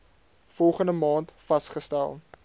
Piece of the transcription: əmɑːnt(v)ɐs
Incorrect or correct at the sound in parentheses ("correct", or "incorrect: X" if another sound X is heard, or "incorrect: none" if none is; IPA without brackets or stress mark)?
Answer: incorrect: f